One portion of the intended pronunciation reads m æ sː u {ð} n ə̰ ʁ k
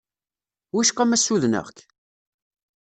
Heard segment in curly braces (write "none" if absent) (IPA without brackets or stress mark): ð